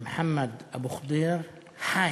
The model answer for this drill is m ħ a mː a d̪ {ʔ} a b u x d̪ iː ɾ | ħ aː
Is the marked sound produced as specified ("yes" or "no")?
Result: yes